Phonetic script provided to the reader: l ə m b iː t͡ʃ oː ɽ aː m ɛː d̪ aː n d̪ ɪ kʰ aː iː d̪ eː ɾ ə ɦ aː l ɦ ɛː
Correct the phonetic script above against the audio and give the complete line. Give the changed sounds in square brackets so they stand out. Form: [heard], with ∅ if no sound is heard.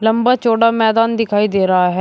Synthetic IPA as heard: l ə m b [aː] t͡ʃ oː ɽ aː m ɛː d̪ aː n d̪ ɪ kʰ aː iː d̪ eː ɾ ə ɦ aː [∅] ɦ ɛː